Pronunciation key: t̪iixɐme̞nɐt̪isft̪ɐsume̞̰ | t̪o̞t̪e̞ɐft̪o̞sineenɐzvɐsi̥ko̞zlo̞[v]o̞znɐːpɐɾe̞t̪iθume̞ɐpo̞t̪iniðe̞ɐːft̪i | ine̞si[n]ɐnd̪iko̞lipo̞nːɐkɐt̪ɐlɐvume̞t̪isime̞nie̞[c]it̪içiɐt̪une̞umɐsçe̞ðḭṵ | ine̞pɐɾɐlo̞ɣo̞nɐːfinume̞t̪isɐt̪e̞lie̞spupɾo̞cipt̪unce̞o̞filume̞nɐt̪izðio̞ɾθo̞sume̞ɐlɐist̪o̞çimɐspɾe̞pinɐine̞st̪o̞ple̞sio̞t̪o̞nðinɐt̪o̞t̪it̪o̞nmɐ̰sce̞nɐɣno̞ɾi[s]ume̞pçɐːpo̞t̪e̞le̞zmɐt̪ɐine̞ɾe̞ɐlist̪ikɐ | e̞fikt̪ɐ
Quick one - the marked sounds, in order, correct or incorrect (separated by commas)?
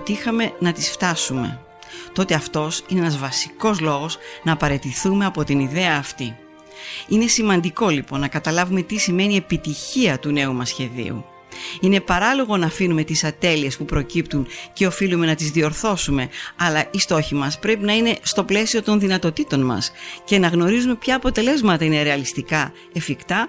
incorrect, incorrect, incorrect, incorrect